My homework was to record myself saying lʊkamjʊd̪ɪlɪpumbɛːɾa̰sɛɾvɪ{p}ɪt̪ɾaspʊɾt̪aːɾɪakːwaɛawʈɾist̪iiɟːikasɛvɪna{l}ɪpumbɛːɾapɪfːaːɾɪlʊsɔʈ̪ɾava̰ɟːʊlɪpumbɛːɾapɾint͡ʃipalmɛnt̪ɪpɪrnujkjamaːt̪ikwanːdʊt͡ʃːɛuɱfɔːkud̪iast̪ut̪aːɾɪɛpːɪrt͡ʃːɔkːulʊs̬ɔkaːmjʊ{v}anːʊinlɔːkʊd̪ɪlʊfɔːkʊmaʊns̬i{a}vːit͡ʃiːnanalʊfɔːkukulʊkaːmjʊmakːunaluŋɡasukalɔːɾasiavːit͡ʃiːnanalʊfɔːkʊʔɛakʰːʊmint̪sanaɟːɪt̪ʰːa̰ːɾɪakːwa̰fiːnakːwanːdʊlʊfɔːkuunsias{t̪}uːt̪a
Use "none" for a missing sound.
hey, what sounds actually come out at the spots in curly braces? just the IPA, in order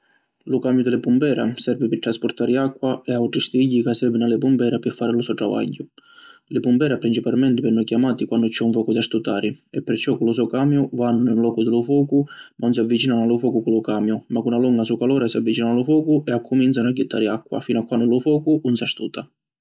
p, l, v, a, t̪

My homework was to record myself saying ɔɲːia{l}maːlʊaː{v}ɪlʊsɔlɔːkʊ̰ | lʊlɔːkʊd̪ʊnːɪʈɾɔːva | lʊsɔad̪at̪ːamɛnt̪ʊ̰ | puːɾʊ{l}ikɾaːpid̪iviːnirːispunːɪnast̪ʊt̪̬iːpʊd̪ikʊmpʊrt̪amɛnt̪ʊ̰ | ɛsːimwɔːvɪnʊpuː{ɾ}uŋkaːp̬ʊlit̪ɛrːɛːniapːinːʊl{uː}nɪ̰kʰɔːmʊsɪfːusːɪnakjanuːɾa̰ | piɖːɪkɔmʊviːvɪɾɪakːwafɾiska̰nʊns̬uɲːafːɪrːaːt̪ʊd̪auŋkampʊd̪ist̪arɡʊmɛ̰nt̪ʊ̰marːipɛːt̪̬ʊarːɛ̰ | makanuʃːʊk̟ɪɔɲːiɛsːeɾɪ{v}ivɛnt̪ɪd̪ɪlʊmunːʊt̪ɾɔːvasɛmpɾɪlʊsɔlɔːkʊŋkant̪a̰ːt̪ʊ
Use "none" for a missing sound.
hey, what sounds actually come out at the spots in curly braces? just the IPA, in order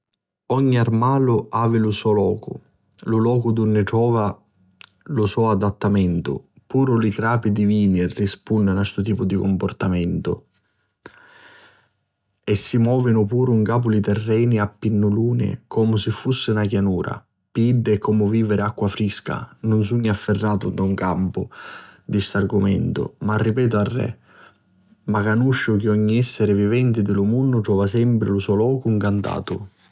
r, v, l, ɾ, uː, v

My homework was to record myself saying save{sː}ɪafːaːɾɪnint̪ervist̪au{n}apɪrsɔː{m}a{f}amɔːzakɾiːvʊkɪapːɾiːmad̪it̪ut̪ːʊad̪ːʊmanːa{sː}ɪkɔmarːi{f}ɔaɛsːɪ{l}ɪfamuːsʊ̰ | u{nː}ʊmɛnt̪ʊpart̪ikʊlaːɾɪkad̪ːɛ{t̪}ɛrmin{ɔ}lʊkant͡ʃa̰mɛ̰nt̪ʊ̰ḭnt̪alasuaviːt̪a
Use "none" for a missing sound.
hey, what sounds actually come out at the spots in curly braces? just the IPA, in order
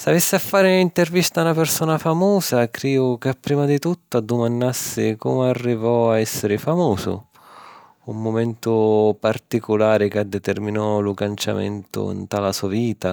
sː, n, n, f, sː, v, ɾ, mː, t̪, ɔ

